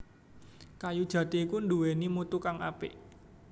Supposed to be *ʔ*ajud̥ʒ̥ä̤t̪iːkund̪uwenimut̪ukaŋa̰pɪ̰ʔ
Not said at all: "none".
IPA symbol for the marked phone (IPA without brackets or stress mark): k